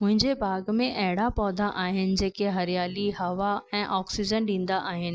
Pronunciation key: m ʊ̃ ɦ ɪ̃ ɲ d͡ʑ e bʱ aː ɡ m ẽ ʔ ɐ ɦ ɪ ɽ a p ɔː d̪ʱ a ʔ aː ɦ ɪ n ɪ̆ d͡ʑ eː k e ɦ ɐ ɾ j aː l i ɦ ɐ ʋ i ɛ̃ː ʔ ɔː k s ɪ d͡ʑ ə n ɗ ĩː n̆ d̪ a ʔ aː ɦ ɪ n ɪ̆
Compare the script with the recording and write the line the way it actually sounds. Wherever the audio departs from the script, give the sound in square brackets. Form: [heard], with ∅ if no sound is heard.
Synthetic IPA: m ʊ̃ ɦ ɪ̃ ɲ d͡ʑ e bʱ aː ɡ m ẽ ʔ ɐ ɦ ɪ ɽ a p ɔː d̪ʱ a ʔ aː ɦ ɪ n ɪ̆ d͡ʑ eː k e ɦ ɐ ɾ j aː l i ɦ ɐ ʋ [a] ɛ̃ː ʔ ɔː k s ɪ d͡ʑ ə n ɗ ĩː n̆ d̪ a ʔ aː ɦ ɪ n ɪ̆